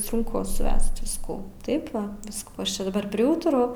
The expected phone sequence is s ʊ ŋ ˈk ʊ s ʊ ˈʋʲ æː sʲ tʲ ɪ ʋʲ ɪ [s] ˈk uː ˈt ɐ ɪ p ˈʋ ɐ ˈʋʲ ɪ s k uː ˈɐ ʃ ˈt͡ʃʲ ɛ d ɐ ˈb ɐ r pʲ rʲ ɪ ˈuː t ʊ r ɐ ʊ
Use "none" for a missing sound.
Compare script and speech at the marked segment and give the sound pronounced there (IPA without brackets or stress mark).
s